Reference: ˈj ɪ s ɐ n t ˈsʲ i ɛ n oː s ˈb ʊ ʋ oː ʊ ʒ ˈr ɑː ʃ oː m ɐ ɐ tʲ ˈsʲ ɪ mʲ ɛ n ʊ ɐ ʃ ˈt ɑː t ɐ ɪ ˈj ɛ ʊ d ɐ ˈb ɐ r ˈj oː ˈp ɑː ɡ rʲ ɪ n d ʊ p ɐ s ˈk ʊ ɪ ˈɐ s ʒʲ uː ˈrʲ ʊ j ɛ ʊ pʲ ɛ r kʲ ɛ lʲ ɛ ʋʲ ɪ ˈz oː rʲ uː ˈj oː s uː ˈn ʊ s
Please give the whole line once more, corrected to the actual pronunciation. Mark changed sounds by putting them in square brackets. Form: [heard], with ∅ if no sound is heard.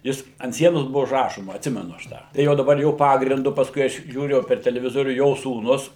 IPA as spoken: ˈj ɪ s ɐ n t ˈsʲ i ɛ n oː s ˈb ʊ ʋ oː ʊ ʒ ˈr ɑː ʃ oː m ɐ ɐ tʲ ˈsʲ ɪ mʲ ɛ n ʊ ɐ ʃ ˈt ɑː t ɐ ɪ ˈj ɛ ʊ d ɐ ˈb ɐ r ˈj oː ˈp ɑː ɡ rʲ ɪ n d ʊ p ɐ s ˈk ʊ ɪ ˈɐ [ʃ] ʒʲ uː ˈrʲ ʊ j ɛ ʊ pʲ ɛ r [tʲ] ɛ lʲ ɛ ʋʲ ɪ ˈz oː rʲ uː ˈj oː s uː ˈn ʊ s